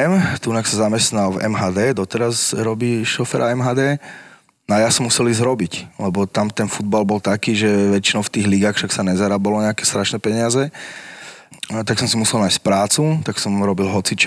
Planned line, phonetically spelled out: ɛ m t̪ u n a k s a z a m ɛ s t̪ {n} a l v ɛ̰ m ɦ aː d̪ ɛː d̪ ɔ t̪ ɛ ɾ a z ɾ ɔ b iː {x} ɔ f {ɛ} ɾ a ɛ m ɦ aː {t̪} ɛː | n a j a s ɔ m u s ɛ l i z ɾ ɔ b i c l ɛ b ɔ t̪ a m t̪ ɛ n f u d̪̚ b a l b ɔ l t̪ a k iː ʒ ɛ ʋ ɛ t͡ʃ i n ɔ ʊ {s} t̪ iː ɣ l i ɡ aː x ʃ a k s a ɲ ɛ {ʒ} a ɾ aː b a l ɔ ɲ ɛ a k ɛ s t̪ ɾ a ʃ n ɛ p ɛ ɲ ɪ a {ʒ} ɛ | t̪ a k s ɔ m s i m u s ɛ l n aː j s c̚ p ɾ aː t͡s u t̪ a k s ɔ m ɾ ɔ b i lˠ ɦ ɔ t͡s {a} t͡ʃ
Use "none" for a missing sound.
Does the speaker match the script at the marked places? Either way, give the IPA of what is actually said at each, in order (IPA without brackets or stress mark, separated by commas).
n, ʃ, ɛ, d̪, f, z, z, i